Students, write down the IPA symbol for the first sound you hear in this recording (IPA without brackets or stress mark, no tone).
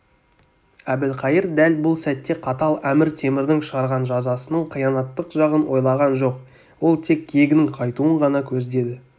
æ